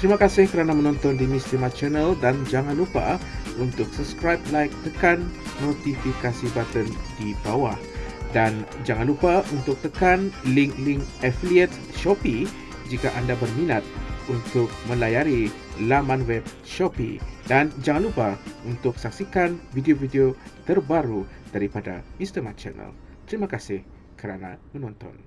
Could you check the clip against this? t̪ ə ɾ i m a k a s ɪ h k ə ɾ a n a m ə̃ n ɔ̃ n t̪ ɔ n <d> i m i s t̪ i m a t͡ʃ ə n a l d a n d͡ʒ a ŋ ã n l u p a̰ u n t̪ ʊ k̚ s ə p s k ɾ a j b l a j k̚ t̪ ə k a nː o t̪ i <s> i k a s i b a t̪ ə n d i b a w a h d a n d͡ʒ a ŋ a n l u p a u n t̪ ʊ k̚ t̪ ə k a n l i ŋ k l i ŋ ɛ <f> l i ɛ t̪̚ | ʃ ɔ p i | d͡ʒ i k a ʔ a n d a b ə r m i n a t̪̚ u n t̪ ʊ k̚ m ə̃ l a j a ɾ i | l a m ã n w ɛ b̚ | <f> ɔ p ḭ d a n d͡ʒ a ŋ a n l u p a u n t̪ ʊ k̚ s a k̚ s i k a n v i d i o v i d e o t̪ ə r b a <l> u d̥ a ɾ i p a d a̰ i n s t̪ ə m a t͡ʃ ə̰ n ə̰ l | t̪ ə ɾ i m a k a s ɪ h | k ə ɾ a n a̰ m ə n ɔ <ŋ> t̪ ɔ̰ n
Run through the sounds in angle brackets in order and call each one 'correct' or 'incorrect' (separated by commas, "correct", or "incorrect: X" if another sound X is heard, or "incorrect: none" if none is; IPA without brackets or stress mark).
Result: correct, incorrect: f, correct, incorrect: ʃ, incorrect: ɾ, incorrect: n